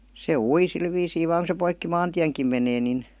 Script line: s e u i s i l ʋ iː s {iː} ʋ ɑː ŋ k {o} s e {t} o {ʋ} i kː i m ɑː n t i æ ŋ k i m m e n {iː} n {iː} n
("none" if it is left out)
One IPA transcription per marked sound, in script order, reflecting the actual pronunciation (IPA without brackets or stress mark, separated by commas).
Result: iː, u, p, none, eː, i